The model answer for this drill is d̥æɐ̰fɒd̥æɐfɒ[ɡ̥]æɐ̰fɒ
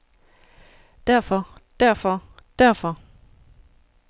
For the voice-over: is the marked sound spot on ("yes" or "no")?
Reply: no